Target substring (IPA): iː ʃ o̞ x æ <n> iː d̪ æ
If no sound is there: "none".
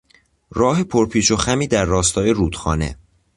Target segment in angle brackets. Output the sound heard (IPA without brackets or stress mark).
m